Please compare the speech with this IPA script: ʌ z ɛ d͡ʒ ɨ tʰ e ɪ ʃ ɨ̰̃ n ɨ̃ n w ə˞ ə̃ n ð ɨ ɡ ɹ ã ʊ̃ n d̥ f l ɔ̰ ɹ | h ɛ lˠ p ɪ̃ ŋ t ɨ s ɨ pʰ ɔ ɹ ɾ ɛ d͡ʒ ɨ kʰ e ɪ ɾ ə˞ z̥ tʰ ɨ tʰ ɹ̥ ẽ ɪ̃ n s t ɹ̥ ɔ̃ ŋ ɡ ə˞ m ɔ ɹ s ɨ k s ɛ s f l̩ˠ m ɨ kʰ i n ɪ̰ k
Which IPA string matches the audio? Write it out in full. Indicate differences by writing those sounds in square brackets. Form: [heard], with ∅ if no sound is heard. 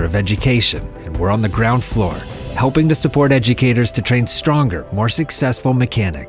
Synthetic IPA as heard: ʌ [v] ɛ d͡ʒ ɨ [kʰ] e ɪ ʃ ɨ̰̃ n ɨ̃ n w ə˞ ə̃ n ð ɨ ɡ ɹ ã ʊ̃ n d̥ f l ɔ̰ ɹ | h ɛ lˠ p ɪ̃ ŋ t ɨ s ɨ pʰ ɔ ɹ ɾ ɛ d͡ʒ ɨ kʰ e ɪ ɾ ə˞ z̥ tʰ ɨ tʰ ɹ̥ ẽ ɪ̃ n s t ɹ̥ ɔ̃ ŋ ɡ ə˞ m ɔ ɹ s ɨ k s ɛ s f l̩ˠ m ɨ kʰ [æ] n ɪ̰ k